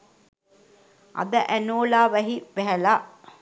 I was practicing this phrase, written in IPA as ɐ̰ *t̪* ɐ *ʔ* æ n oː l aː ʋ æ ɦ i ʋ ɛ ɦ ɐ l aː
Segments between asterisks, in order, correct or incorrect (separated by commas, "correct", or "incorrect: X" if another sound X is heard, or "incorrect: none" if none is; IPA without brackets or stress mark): incorrect: d̪, correct